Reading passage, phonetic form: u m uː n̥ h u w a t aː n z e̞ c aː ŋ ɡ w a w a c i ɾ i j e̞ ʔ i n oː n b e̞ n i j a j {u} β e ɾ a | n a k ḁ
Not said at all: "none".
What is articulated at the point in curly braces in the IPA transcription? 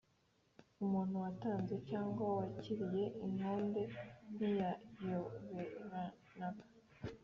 o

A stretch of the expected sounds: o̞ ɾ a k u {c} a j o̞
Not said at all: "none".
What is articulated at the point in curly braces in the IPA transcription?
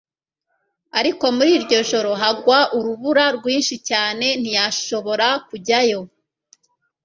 ɟ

